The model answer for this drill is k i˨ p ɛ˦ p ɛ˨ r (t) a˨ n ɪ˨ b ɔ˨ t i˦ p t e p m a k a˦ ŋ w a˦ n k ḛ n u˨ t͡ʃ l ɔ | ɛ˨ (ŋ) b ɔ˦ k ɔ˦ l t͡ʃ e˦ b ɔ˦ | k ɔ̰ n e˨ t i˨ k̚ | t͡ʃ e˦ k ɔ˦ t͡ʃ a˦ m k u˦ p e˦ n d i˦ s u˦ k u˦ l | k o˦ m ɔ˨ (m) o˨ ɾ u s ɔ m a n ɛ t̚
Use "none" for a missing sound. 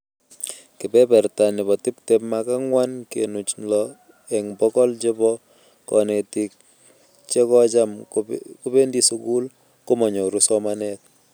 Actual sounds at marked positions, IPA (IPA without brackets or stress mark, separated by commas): t, ŋ, ɲ